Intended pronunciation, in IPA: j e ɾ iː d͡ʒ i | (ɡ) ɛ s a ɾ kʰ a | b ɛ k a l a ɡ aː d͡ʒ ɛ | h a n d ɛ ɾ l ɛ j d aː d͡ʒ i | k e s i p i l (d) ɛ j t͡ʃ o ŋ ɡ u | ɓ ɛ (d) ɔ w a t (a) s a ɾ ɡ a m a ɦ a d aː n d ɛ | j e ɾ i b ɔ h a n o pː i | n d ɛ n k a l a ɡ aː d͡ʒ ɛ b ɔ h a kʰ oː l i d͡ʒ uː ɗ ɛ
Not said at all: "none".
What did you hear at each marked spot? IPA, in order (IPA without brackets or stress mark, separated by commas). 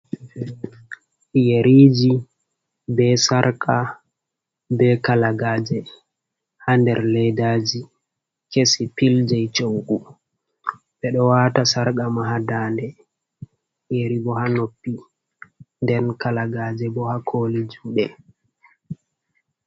b, d͡ʒ, ɗ, a